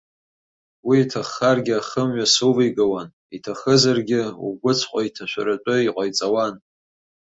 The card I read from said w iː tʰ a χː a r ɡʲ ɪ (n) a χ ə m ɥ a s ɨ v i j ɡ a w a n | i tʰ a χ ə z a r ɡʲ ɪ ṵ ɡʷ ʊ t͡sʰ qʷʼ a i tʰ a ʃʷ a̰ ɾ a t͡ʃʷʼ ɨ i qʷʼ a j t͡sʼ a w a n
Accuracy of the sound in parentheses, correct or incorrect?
incorrect: none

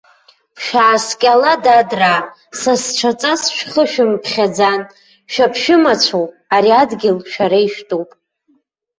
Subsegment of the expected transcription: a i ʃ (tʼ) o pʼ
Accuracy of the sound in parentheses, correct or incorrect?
correct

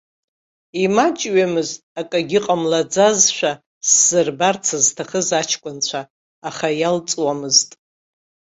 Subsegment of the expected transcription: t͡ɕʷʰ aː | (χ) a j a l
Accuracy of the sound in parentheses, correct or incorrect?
correct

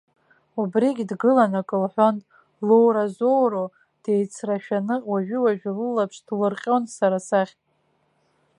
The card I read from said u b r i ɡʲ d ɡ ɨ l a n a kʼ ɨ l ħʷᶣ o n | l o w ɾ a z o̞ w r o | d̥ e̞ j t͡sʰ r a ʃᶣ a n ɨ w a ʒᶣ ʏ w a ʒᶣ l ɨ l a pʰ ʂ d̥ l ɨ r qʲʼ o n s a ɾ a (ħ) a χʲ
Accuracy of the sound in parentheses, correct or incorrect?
incorrect: s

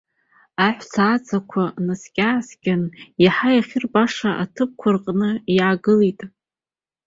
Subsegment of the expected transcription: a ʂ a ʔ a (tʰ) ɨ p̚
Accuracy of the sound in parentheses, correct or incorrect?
correct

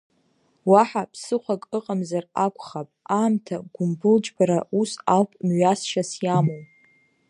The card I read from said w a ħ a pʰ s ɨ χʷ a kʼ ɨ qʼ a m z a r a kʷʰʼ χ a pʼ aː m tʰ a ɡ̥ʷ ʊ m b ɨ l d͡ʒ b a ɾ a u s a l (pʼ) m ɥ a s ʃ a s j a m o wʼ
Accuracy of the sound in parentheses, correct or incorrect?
correct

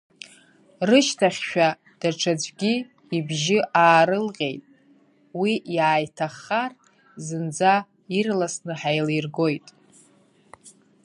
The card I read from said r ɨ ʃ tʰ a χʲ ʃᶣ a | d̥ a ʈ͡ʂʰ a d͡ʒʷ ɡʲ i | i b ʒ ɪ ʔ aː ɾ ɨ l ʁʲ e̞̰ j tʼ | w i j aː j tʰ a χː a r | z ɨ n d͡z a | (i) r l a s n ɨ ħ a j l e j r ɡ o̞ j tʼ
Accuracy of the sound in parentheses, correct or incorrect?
correct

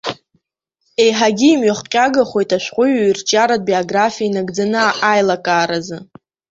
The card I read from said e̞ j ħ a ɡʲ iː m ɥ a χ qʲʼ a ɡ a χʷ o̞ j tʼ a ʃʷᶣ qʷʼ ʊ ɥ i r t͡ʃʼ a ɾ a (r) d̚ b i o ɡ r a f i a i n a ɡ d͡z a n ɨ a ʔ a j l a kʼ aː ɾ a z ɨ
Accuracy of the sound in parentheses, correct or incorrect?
incorrect: none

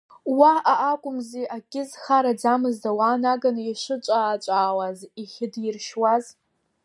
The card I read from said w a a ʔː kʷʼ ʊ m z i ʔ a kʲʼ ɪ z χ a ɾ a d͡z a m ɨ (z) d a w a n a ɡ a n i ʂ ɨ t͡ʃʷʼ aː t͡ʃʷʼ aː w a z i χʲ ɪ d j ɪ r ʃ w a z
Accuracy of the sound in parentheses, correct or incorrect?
correct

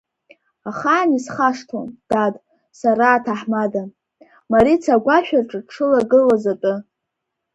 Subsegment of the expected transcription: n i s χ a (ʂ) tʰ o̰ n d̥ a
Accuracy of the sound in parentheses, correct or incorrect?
correct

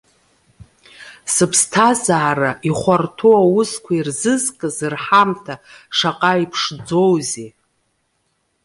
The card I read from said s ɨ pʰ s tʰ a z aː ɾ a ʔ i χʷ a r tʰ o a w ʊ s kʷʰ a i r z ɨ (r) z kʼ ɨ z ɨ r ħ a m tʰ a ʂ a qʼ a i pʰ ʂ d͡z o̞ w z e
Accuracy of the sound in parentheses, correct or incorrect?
incorrect: none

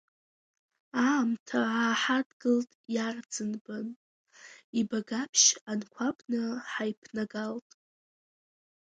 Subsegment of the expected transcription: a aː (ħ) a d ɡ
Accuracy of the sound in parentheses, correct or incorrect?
correct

